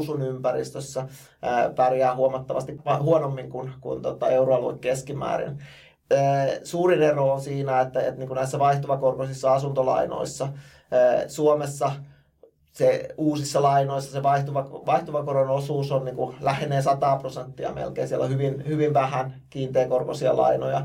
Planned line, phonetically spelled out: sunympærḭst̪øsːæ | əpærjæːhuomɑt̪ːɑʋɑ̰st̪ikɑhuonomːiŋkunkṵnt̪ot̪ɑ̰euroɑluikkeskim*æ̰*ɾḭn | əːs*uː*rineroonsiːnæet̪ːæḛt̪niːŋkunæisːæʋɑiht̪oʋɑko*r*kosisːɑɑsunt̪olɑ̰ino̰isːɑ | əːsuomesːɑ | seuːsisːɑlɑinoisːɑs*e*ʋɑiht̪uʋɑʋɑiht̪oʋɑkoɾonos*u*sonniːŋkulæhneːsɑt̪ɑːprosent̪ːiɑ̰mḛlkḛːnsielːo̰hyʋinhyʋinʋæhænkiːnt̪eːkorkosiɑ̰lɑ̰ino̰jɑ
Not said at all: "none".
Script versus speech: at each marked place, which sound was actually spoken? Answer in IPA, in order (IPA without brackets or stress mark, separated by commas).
æ̰ː, uː, r, e, uː